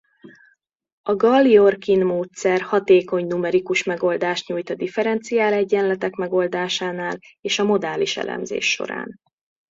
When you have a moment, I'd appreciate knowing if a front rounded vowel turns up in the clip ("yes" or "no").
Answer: no